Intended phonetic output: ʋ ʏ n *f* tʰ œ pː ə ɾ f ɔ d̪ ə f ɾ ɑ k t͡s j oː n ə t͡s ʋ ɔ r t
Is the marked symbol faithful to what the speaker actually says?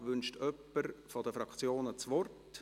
no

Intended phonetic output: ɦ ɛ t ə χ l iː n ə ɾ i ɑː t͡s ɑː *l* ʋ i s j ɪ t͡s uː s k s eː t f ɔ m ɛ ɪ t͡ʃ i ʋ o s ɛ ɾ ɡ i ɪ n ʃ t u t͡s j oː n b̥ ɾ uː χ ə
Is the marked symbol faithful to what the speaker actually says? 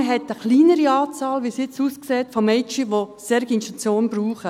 yes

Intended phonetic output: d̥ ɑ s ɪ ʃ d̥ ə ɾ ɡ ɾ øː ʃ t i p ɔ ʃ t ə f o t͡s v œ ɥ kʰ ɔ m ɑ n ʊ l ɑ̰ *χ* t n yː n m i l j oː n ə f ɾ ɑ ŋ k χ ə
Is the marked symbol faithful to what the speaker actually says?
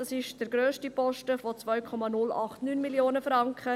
yes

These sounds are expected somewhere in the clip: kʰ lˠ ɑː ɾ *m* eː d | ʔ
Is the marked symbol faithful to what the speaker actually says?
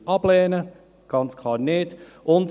no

